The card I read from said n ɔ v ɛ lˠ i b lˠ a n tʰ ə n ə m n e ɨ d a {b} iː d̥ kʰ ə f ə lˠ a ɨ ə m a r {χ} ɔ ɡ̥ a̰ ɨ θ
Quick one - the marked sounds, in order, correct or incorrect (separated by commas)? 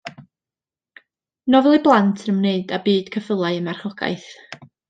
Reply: correct, correct